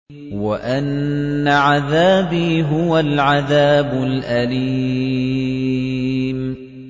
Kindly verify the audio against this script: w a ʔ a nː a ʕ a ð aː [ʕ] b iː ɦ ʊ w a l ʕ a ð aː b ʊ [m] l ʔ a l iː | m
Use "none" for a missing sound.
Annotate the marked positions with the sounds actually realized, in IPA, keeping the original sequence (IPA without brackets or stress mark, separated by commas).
none, none